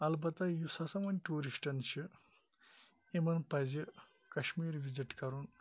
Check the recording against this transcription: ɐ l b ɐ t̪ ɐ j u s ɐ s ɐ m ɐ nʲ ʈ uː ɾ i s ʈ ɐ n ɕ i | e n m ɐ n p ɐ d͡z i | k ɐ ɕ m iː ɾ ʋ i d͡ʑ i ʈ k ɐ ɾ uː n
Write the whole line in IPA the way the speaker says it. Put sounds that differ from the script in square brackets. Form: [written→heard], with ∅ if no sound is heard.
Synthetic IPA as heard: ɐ l b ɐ t̪ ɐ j u s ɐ s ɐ m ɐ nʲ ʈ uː ɾ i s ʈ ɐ n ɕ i | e [n→∅] m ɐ n p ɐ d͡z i | k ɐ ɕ m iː ɾ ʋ i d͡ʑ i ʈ k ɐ ɾ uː n